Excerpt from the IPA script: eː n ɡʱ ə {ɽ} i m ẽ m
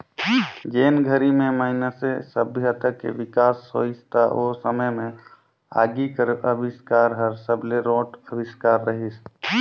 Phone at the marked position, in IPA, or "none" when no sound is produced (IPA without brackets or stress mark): ɾ